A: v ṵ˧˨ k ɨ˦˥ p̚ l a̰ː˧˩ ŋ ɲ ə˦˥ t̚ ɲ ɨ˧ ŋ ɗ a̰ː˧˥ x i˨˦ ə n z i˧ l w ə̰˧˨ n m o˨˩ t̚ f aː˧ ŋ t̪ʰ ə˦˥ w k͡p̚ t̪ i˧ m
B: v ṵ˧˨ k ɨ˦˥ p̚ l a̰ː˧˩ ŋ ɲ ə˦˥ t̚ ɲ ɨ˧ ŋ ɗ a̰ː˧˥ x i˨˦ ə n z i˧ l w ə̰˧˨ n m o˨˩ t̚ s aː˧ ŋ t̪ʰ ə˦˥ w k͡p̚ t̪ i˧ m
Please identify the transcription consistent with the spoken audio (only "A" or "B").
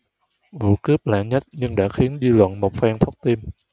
A